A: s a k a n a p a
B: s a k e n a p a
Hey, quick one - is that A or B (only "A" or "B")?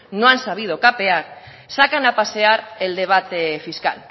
A